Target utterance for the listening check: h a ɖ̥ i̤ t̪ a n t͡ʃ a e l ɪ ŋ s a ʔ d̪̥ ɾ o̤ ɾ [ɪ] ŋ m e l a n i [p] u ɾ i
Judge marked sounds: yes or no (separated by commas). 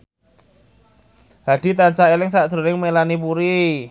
yes, yes